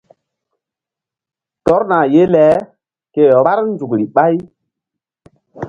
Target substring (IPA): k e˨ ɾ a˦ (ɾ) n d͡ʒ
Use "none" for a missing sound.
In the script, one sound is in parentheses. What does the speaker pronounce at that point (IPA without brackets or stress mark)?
ɾ